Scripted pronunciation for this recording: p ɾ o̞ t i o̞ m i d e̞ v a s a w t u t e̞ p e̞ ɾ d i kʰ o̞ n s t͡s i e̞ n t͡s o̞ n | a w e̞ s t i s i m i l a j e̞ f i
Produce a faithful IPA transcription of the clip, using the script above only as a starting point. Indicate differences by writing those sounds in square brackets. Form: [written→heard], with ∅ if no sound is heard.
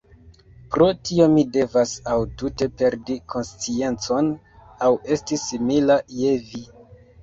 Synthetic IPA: p ɾ o̞ t i o̞ m i d e̞ v a s a w t u t e̞ p e̞ ɾ d i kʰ o̞ n s t͡s i e̞ n t͡s o̞ n | a w e̞ s t i s i m i l a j e̞ [f→v] i